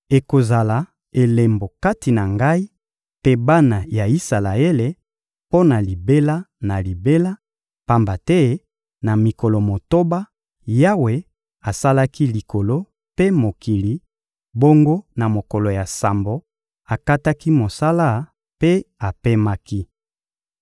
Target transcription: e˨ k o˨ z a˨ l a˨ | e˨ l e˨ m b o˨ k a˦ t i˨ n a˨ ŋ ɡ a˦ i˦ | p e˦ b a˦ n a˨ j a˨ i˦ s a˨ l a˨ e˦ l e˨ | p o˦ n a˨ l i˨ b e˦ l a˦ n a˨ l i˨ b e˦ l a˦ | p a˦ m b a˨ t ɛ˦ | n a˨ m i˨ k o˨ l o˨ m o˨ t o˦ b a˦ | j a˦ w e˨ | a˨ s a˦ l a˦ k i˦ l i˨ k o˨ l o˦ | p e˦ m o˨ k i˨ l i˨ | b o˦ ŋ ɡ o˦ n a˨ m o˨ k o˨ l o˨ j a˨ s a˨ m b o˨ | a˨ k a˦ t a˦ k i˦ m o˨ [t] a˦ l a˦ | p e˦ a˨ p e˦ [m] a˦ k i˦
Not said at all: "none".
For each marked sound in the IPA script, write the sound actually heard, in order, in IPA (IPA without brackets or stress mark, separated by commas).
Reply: s, m